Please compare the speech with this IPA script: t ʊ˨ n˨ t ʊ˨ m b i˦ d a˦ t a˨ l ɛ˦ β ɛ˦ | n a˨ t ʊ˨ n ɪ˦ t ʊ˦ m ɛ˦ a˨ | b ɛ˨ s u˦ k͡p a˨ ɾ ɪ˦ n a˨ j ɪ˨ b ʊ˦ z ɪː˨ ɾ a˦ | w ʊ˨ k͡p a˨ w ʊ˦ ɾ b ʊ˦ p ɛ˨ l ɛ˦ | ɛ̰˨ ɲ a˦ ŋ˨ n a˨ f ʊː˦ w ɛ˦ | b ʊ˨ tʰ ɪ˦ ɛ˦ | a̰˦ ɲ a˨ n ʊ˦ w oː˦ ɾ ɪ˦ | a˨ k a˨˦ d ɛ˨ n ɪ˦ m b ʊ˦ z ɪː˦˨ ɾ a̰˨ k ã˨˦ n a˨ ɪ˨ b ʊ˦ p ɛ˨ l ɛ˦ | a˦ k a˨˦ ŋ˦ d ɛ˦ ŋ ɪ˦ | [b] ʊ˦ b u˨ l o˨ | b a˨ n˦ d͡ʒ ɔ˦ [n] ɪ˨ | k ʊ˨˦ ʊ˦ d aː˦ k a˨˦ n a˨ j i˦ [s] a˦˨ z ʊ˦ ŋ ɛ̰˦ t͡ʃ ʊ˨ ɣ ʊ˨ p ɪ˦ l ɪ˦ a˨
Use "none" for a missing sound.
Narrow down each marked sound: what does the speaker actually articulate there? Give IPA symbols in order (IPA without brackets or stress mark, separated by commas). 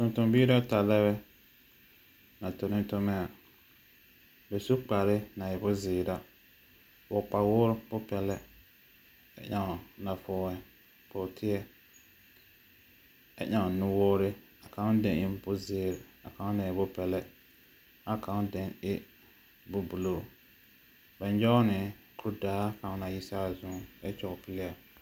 b, n, s